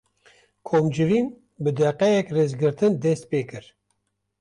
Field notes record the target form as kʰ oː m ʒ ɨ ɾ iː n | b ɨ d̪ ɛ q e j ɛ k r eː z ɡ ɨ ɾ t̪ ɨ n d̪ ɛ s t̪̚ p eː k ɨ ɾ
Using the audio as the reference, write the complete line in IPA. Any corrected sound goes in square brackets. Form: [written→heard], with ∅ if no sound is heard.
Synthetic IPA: kʰ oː m [ʒ→d͡ʒ] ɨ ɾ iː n | b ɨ d̪ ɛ q [e→ɛ] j ɛ k r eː z ɡ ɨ ɾ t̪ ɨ n d̪ ɛ s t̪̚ p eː k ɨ ɾ